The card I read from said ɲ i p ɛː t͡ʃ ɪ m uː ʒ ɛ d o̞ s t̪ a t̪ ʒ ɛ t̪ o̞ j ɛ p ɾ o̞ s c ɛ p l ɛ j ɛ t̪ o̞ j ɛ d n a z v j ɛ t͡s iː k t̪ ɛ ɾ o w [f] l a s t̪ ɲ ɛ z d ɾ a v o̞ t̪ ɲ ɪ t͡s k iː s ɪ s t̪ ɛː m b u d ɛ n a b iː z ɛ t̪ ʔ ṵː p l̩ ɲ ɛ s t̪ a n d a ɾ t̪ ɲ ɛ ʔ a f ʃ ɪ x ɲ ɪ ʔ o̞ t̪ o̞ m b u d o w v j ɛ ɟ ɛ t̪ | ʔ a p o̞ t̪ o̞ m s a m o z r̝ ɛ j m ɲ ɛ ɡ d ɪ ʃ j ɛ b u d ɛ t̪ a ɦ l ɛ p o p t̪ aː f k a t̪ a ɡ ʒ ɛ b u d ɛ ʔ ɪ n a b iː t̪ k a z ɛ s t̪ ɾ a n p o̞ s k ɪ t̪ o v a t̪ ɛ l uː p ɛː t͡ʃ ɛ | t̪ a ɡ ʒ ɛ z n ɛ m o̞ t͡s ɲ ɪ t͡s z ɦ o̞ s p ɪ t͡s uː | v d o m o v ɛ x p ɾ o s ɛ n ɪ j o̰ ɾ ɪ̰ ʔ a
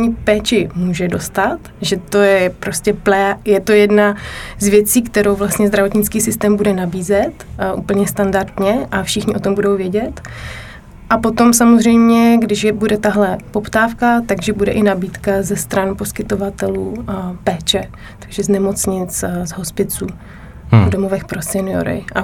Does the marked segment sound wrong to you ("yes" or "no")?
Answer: yes